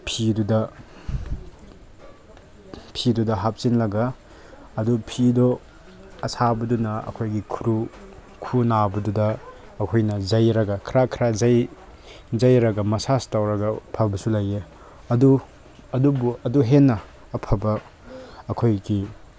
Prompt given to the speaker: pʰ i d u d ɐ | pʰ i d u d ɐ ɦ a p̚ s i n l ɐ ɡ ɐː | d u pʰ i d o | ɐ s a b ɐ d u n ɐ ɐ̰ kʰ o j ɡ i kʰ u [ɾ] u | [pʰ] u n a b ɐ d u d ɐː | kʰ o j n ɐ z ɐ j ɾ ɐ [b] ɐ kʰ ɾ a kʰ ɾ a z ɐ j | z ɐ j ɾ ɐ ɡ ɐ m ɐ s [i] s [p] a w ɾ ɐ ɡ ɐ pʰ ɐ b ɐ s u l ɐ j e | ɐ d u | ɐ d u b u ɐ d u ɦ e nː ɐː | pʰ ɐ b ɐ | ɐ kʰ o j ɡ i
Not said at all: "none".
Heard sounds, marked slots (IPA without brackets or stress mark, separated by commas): ɾ, kʰ, ɡ, a, t